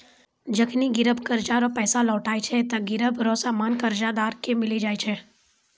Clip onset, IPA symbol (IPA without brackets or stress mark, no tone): d͡ʒ